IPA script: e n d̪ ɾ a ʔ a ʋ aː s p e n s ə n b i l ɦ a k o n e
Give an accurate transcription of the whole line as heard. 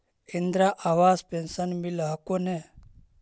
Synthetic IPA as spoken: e n d̪ ɾ a ʔ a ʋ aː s p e n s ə n m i l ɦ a k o n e